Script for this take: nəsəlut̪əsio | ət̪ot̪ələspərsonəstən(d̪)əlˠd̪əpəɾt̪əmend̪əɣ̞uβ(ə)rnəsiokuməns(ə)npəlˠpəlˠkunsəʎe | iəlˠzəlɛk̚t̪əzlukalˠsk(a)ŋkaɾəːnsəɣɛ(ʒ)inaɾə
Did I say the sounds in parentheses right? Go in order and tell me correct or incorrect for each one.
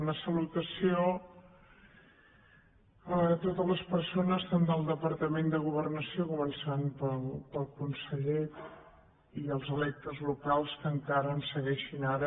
correct, correct, incorrect: a, incorrect: ə, incorrect: ʃ

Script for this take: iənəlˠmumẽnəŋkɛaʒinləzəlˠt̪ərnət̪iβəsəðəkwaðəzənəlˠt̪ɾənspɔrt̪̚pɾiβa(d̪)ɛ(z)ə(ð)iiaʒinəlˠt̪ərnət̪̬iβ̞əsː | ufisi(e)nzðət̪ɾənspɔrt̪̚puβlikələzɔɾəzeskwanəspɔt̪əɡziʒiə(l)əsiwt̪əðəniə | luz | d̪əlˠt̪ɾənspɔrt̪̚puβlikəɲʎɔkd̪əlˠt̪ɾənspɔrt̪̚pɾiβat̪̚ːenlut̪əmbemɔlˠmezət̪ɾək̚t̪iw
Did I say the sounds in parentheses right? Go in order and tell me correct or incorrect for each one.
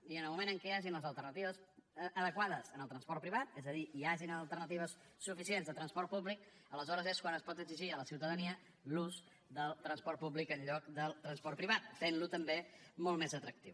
incorrect: t̪, correct, correct, correct, correct

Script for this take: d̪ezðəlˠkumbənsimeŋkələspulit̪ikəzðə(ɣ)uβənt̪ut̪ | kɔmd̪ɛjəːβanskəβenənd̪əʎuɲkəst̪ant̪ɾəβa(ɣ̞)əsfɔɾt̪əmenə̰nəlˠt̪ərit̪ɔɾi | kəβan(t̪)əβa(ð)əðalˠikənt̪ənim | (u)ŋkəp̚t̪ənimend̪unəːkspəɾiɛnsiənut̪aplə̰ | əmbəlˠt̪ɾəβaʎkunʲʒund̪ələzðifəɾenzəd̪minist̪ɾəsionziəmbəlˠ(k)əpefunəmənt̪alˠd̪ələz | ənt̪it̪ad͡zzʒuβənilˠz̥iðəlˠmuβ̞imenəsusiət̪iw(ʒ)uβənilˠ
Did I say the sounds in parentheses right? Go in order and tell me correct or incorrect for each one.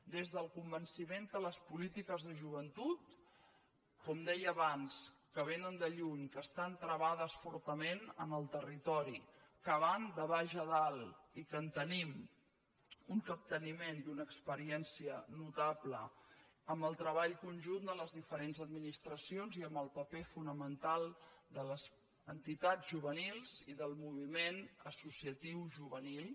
incorrect: ʒ, incorrect: ð̞, incorrect: d̪, incorrect: ʒ, correct, incorrect: p, correct

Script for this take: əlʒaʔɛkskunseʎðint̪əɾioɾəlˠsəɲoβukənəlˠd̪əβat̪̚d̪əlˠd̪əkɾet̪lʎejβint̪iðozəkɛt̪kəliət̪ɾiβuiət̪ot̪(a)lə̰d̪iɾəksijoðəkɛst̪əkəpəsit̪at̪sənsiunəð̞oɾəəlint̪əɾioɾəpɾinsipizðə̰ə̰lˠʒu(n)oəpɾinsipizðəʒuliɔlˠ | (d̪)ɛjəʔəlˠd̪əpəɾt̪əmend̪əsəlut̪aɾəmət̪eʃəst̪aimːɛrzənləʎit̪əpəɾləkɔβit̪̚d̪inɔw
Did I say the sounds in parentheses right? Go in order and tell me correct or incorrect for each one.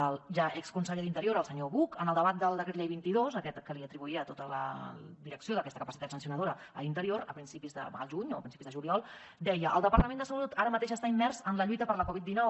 incorrect: ə, incorrect: ɲ, correct

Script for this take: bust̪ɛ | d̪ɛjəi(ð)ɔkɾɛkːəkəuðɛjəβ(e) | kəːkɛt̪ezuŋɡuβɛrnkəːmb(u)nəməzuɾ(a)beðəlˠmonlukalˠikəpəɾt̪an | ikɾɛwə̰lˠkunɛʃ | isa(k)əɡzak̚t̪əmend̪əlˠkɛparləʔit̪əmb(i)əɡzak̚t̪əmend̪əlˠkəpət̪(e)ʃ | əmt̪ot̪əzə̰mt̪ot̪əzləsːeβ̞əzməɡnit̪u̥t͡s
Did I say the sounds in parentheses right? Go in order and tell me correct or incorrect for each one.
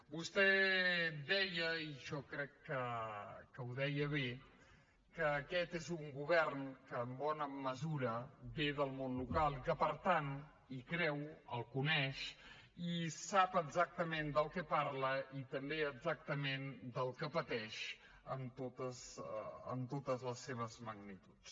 incorrect: ʒ, correct, incorrect: ɔ, incorrect: ə, incorrect: p, incorrect: e, incorrect: ɛ

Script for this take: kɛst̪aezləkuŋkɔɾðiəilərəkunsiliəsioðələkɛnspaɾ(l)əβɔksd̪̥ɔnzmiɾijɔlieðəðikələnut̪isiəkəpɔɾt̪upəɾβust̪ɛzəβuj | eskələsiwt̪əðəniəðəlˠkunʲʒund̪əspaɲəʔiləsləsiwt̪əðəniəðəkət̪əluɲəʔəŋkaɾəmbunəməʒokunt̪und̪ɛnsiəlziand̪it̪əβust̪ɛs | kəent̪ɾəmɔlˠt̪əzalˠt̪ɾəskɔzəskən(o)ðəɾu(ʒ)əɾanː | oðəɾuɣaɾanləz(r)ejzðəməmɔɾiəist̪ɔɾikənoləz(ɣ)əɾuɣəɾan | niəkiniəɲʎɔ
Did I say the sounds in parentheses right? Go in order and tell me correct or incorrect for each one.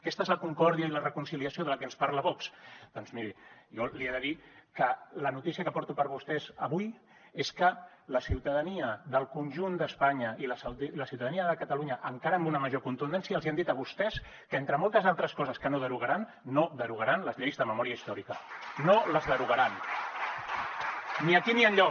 correct, correct, incorrect: ɣ, incorrect: ʎ, incorrect: ð

